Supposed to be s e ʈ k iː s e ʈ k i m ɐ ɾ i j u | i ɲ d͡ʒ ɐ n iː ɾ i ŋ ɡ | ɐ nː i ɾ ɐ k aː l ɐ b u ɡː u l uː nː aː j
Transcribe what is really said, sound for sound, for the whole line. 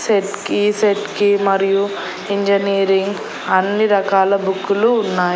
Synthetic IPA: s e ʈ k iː s e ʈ k i m ɐ ɾ i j u | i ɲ d͡ʒ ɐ n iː ɾ i ŋ ɡ | ɐ nː i ɾ ɐ k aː l ɐ b u kː u l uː nː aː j